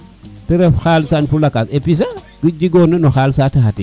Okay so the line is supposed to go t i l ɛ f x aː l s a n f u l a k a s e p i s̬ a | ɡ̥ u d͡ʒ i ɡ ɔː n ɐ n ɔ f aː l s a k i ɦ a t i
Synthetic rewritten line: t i ɾ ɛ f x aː l s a n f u l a k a s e p i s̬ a | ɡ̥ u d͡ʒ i ɡ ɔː n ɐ n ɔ x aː l s a t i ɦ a t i